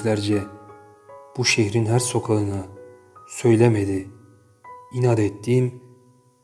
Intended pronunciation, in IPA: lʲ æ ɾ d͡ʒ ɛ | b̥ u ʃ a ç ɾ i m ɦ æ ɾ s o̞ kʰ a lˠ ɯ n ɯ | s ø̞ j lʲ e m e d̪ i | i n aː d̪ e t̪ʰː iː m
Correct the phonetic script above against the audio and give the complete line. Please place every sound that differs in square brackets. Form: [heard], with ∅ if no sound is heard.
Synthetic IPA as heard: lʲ æ ɾ d͡ʒ ɛ | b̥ u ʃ [e] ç ɾ i [n] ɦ æ ɾ s o̞ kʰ a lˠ ɯ n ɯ | s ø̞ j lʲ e m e d̪ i | i n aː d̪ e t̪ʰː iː m

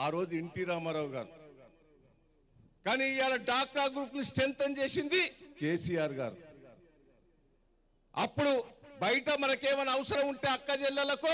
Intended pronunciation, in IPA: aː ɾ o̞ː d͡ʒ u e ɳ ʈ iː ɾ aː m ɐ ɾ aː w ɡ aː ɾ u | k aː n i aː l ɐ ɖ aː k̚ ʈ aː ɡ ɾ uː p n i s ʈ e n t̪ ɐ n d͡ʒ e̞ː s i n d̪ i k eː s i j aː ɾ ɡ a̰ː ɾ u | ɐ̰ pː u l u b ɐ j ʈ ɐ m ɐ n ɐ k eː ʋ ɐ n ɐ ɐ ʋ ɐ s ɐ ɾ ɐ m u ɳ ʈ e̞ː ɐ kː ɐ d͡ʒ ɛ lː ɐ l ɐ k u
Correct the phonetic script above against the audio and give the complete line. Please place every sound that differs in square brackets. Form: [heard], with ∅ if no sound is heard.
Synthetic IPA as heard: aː ɾ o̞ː d͡ʒ u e ɳ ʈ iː ɾ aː m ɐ ɾ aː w ɡ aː ɾ u | k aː n i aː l ɐ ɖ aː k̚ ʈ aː ɡ ɾ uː p n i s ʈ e n t̪ ɐ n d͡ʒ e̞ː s i n d̪ i k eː s i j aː ɾ ɡ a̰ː ɾ u | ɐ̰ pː u [ɽ] u b ɐ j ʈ ɐ m ɐ n ɐ k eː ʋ ɐ n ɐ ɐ ʋ ɐ s ɐ ɾ ɐ m u ɳ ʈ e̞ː ɐ kː ɐ d͡ʒ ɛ lː ɐ l ɐ k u

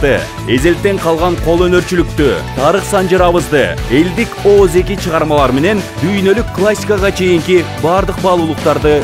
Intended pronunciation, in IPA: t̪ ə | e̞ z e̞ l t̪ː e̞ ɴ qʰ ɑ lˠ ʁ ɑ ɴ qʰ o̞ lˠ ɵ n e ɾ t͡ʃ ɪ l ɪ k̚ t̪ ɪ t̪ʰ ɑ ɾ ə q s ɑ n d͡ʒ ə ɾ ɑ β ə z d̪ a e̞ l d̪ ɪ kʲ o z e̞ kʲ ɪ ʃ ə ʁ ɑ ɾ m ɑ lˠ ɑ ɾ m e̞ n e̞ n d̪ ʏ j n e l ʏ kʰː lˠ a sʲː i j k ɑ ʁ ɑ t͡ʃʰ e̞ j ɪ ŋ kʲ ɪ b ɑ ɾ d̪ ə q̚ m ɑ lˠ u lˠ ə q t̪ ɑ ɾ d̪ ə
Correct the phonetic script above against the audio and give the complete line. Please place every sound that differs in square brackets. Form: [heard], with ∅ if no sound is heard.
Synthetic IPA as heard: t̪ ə | e̞ z e̞ l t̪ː e̞ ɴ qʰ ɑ lˠ ʁ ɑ ɴ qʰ o̞ lˠ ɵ n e ɾ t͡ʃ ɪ l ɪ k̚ t̪ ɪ t̪ʰ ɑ ɾ ə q s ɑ n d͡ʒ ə ɾ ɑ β ə z d̪ [ə] e̞ l d̪ ɪ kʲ o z e̞ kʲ ɪ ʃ ə ʁ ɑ ɾ m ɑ lˠ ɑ ɾ m e̞ n e̞ n d̪ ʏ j n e l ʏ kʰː lˠ a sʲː i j k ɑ ʁ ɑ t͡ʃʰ e̞ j ɪ ŋ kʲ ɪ b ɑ ɾ d̪ ə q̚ [b] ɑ lˠ u lˠ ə q t̪ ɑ ɾ d̪ ə

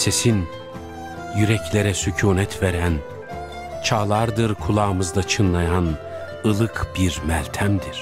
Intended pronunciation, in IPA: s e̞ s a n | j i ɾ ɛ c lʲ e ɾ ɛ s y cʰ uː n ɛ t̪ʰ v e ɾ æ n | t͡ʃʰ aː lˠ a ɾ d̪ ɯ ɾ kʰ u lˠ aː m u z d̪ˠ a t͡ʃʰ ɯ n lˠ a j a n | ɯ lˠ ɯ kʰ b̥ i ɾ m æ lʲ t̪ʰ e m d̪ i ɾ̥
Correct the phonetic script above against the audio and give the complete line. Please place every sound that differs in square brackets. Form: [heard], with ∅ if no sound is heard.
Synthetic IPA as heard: s e̞ s [i] n | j [y] ɾ ɛ c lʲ e ɾ ɛ s y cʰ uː n ɛ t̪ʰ v e ɾ æ n | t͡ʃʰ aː lˠ a ɾ d̪ ɯ ɾ kʰ u lˠ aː m [ɯ] z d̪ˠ a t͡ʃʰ ɯ n lˠ a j a n | ɯ lˠ ɯ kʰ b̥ i ɾ m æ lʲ t̪ʰ [æ] m d̪ i ɾ̥

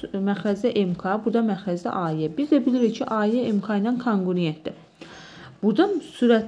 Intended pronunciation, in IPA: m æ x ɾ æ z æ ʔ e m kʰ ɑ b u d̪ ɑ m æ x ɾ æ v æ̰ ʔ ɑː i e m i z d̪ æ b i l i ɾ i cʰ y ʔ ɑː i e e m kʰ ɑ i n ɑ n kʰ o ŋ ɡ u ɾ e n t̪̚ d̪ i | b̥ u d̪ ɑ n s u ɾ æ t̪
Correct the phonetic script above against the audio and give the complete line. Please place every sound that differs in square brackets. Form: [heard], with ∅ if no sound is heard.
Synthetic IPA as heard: m æ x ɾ æ z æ ʔ e m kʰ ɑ b u d̪ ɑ m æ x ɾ æ [z] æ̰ ʔ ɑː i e [b] i z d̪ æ b i l i ɾ i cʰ [i] ʔ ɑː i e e m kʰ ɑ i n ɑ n kʰ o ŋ ɡ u ɾ e n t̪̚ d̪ i | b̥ u d̪ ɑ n s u ɾ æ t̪

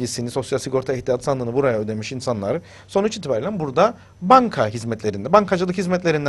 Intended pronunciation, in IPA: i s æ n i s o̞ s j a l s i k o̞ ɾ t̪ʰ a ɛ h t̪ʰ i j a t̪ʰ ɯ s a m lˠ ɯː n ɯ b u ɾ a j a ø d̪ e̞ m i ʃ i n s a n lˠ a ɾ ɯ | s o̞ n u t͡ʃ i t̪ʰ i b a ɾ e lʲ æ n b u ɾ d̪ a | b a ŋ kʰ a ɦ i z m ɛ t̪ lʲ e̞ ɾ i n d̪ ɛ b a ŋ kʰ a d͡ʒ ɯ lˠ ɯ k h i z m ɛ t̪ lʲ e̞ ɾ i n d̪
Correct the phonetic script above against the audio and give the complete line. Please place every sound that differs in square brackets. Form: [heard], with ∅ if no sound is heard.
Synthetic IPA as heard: i s [i] n i s o̞ s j a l s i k o̞ ɾ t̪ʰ a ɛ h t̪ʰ i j a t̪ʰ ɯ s a [n] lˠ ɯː n ɯ b u ɾ a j a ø d̪ e̞ m i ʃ i n s a n lˠ a ɾ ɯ | s o̞ n u t͡ʃ i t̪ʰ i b a ɾ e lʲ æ n b u ɾ d̪ a | b a ŋ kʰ a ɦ i z m ɛ t̪ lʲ e̞ ɾ i n d̪ ɛ b a ŋ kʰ a d͡ʒ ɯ lˠ ɯ k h i z m ɛ t̪ lʲ e̞ ɾ i n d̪

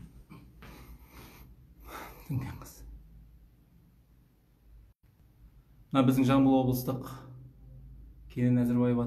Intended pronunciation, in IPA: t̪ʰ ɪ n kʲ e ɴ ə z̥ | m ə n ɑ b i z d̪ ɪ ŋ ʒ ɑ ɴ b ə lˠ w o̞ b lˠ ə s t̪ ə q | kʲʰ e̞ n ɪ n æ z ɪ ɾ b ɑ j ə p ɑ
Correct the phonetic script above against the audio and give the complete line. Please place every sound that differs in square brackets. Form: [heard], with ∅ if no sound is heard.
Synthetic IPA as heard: t̪ʰ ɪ [ŋ] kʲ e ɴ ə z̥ | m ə n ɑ b [ɪ] z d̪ ɪ ŋ ʒ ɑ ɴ b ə lˠ w o̞ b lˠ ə s t̪ ə q | kʲʰ e̞ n ɪ n æ z ɪ ɾ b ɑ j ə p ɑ

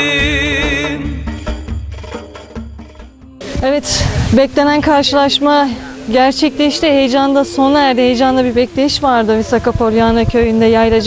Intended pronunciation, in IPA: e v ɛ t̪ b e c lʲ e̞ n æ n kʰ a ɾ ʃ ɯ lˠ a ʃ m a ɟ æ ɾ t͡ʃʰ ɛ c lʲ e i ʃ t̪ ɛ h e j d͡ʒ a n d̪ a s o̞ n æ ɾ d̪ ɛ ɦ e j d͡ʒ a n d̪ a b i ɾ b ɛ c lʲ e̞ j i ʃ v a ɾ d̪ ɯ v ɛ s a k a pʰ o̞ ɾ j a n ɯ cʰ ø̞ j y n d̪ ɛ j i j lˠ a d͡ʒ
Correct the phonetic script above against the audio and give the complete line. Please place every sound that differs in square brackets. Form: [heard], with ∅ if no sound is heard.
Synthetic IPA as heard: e v ɛ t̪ b [ɛ] c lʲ e̞ n æ n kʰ a ɾ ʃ ɯ lˠ a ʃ m a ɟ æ ɾ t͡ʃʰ ɛ c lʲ e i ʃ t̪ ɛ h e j d͡ʒ a n d̪ a s o̞ n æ ɾ d̪ ɛ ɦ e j d͡ʒ a n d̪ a b i ɾ b ɛ c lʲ e̞ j i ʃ v a ɾ d̪ ɯ v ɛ s a k a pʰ o̞ ɾ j a n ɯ cʰ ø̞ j y n d̪ ɛ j [a] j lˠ a d͡ʒ

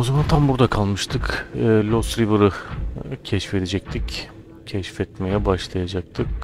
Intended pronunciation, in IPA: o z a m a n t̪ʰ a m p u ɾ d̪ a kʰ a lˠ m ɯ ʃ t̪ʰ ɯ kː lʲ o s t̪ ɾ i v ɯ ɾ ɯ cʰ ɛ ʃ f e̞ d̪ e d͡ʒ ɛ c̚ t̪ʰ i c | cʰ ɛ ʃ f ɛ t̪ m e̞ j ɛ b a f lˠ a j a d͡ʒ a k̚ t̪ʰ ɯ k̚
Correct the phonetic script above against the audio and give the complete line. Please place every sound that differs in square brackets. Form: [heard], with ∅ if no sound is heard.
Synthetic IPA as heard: o z a m a n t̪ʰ a m [b] u ɾ d̪ a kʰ a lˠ m ɯ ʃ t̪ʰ ɯ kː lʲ o s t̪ ɾ i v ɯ ɾ ɯ cʰ ɛ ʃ f e̞ d̪ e d͡ʒ ɛ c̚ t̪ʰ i c | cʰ ɛ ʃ f ɛ t̪ m e̞ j ɛ b a [ʃ] lˠ a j a d͡ʒ a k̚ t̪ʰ ɯ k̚

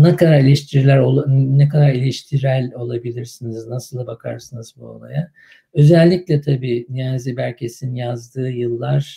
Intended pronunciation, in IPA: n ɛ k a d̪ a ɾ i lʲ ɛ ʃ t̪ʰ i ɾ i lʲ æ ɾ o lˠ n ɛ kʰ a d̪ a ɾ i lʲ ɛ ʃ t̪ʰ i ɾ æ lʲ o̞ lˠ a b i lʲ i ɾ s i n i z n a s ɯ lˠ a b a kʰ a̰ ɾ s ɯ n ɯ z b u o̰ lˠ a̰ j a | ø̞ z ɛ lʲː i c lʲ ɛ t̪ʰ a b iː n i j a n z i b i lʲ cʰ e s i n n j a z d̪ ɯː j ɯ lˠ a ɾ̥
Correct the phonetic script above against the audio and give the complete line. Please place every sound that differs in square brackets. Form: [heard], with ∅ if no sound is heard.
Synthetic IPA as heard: n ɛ k a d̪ a ɾ i lʲ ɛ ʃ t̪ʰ i ɾ i lʲ æ ɾ o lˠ n ɛ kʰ a d̪ a ɾ i lʲ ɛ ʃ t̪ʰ i ɾ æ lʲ o̞ lˠ a b i lʲ i ɾ s i n i z n a s ɯ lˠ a b a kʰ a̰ ɾ s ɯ n ɯ z b u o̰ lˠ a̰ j a | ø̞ z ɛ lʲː i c lʲ ɛ t̪ʰ a b iː n i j a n z i b [æ] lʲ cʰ e s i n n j a z d̪ ɯː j ɯ [lˠː] a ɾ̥

